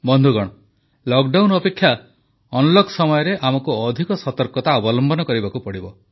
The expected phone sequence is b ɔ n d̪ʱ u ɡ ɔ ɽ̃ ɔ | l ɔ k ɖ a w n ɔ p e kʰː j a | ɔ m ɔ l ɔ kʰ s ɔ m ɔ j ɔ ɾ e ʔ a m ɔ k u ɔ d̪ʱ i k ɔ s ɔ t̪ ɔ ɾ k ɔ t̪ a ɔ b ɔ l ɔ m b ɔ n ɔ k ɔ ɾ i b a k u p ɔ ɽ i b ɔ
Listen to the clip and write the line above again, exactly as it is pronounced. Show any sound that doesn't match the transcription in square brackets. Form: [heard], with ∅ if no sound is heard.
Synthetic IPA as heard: b ɔ n d̪ʱ u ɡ ɔ ɽ̃ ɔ | l ɔ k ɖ a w n ɔ p e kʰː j a | ɔ [n] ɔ l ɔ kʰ s ɔ m ɔ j ɔ ɾ e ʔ a m ɔ k u ɔ d̪ʱ i k ɔ s ɔ t̪ ɔ ɾ k ɔ t̪ a ɔ b ɔ l ɔ m b ɔ n ɔ k ɔ ɾ i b a k u p ɔ ɽ i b ɔ